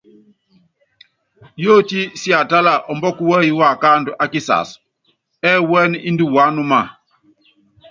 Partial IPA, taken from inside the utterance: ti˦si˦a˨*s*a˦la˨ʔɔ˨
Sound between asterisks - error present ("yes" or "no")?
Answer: yes